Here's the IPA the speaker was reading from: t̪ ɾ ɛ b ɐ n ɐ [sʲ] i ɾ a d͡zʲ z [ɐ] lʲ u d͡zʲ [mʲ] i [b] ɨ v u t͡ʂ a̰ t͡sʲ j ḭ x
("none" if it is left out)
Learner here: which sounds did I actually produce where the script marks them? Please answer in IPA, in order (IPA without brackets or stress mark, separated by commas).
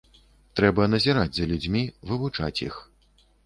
zʲ, ɐ, mʲ, v